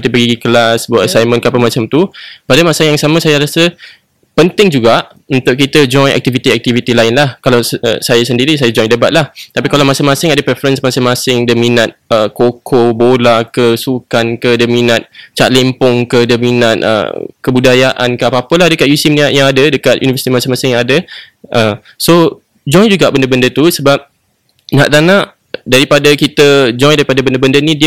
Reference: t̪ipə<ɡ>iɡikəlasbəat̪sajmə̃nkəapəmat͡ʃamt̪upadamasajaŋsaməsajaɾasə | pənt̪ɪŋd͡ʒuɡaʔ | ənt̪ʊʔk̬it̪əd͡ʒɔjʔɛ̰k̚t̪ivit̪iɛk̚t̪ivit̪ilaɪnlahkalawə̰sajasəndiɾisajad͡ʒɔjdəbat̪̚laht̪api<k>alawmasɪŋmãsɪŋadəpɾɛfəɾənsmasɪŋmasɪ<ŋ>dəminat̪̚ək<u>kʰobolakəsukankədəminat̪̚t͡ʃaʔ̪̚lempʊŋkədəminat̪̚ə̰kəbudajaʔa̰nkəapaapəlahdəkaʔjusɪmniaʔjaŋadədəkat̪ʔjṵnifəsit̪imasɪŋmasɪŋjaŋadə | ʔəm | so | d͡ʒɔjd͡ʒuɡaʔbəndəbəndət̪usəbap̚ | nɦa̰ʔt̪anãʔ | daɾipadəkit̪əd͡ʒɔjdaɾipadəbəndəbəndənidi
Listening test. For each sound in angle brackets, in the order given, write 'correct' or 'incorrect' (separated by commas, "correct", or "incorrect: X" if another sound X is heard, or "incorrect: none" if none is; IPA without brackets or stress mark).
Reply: correct, correct, correct, incorrect: o